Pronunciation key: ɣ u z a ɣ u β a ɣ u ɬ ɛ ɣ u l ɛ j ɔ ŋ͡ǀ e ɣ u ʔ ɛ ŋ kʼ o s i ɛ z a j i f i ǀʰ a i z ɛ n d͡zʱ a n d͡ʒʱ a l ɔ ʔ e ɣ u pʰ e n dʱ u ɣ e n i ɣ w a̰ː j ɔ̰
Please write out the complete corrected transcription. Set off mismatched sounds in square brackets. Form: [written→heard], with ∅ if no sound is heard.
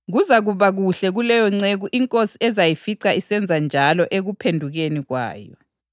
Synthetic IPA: ɣ u z a ɣ u β a ɣ u ɬ ɛ ɣ u l ɛ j ɔ ŋ͡ǀ e ɣ u ʔ [ɛ→i] ŋ kʼ o s i ɛ z a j i f i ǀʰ a i [z→s] ɛ n d͡zʱ a n d͡ʒʱ a l ɔ ʔ e ɣ u pʰ e n dʱ u ɣ e n i ɣ w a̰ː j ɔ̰